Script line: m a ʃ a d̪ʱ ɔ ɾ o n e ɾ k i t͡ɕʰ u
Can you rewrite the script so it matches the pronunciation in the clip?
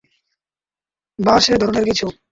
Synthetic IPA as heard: b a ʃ e d̪ʱ ɔ ɾ o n e ɾ k i t͡ɕʰ u